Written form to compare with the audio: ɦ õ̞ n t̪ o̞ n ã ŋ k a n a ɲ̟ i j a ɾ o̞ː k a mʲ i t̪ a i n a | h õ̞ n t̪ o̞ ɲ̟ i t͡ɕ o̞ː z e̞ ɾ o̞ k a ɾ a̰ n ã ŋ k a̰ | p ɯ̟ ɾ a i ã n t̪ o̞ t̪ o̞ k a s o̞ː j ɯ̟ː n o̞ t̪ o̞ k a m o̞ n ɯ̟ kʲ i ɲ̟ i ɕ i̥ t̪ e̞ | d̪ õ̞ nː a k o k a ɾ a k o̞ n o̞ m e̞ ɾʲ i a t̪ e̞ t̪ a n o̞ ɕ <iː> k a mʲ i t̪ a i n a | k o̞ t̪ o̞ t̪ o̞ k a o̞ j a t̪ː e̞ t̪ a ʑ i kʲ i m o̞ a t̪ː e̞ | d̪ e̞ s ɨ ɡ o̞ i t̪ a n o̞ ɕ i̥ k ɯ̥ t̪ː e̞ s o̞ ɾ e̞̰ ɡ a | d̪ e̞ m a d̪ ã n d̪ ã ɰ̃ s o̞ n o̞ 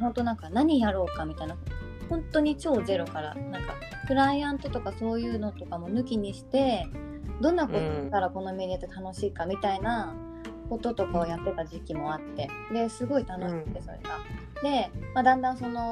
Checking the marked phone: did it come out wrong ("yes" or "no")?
no